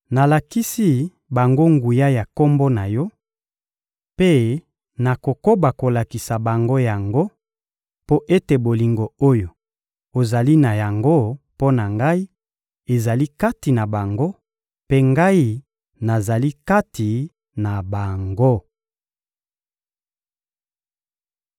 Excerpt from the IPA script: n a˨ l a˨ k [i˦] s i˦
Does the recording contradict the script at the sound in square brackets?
no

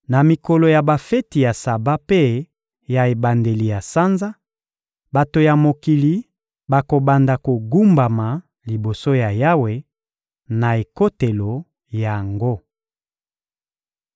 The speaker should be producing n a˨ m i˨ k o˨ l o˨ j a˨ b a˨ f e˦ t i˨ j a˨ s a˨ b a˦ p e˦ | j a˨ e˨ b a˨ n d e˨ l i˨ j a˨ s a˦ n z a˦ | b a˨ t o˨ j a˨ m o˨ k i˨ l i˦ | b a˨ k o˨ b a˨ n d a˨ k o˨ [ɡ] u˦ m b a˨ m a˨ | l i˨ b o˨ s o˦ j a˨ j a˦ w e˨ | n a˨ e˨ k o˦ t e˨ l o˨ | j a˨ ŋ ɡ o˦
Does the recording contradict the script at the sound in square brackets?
no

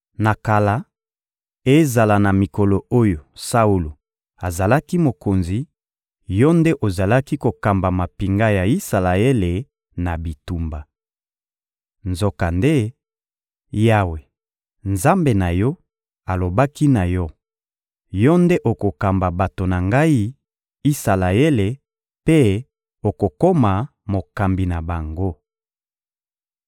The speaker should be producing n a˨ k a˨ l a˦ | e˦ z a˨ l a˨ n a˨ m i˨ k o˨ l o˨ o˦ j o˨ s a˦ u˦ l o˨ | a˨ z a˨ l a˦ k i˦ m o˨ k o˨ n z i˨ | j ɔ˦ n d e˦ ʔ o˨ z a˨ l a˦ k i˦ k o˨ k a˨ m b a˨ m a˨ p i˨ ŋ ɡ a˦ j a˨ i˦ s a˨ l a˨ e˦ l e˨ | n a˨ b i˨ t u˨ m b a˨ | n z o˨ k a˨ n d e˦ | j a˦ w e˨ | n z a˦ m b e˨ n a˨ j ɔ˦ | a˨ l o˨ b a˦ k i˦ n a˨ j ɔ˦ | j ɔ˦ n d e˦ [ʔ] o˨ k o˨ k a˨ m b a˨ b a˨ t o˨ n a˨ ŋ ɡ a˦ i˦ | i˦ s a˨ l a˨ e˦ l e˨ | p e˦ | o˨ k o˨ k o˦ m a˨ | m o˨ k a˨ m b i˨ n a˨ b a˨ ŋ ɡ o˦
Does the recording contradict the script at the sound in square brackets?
no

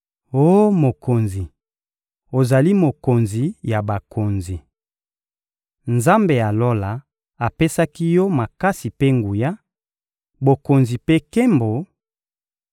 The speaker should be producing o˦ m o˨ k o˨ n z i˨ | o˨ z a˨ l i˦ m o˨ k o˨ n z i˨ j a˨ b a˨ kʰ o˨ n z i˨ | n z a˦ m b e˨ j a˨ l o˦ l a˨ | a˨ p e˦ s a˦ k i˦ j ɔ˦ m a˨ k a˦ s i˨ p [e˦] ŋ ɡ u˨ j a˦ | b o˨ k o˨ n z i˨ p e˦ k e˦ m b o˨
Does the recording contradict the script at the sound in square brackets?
no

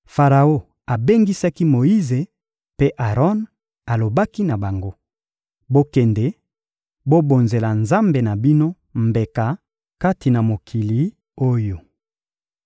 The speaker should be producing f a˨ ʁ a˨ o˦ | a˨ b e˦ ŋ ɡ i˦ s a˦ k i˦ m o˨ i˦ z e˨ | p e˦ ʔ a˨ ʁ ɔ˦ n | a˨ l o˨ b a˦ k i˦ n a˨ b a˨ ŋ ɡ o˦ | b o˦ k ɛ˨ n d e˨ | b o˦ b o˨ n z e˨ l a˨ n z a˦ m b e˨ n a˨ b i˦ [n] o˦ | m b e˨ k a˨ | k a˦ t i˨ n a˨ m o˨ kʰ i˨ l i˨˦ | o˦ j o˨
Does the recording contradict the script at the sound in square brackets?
no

